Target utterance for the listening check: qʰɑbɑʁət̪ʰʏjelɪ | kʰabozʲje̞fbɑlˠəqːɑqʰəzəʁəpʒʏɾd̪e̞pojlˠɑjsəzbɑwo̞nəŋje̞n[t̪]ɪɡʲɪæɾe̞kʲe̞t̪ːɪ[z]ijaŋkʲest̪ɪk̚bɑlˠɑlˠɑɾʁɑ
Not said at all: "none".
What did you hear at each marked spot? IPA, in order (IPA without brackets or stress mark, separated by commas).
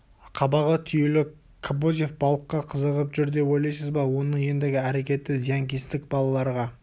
d̪, z